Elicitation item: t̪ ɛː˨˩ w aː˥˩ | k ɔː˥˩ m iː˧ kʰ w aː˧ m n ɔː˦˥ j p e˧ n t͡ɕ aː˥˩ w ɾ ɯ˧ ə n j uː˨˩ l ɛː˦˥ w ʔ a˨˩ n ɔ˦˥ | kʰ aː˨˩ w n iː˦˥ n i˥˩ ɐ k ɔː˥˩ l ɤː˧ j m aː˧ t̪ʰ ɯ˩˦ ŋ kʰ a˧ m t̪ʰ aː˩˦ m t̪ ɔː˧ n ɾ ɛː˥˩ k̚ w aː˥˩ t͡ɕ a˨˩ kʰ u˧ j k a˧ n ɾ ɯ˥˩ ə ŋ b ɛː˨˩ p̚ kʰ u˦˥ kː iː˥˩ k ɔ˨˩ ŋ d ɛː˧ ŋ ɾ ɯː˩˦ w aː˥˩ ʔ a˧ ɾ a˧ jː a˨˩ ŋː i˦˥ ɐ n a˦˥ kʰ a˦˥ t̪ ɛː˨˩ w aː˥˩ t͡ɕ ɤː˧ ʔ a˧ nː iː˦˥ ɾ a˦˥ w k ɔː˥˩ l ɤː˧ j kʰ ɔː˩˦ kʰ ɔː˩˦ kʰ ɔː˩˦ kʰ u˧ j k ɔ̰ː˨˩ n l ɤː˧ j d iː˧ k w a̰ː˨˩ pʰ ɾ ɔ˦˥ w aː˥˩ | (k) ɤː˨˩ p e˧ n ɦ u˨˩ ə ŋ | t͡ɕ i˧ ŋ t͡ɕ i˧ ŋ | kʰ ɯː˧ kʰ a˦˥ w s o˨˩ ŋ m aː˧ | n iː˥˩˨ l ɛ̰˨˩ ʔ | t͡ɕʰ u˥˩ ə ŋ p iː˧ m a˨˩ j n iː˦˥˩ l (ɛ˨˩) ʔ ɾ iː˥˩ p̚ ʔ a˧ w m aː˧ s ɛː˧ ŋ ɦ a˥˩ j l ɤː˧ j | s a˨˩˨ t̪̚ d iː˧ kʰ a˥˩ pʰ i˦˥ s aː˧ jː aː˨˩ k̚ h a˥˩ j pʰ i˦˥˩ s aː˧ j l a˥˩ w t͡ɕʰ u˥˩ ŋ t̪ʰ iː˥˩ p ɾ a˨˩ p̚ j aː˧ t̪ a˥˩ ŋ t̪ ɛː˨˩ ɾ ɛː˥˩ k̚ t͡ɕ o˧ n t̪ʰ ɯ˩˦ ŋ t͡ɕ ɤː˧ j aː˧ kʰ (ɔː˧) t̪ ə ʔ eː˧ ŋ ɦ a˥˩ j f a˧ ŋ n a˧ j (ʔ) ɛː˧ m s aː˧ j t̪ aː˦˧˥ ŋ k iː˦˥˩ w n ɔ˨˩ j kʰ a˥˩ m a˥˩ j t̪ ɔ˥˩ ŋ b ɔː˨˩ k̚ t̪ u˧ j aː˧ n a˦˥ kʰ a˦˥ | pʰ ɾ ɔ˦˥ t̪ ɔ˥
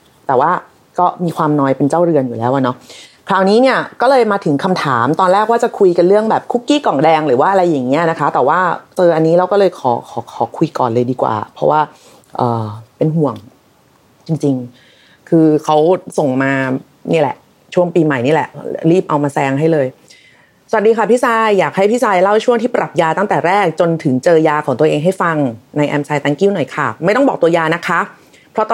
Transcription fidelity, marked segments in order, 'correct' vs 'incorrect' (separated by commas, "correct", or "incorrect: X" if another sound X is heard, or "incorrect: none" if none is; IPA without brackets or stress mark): incorrect: ʔ, correct, incorrect: ɔː˩˦, correct